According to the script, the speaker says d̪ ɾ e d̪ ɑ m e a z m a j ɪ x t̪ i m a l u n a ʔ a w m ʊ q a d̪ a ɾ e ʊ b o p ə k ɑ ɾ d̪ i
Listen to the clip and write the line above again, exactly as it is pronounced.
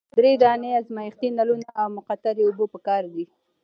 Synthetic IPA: d̪ ɾ e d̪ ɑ n e a z m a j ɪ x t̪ i n a l u n a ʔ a w m ʊ q a t̪ a ɾ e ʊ b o p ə k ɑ ɾ d̪ i